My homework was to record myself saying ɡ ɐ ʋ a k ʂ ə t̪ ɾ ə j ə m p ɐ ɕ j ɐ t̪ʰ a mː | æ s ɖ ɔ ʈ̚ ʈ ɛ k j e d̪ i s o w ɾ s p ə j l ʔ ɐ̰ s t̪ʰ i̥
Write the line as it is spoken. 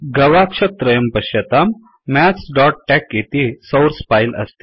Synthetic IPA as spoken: ɡ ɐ ʋ a k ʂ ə t̪ ɾ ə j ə m p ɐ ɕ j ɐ t̪ a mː | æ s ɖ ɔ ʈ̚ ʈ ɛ k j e t̪ i s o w ɾ s p a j l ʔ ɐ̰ s t̪ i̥